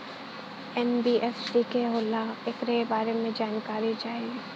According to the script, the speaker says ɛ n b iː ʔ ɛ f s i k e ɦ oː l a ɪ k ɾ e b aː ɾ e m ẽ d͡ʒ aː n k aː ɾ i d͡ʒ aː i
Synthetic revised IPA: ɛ n b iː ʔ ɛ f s i k e ɦ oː l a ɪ k ɾ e b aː ɾ e m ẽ d͡ʒ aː n k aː ɾ i d͡ʒ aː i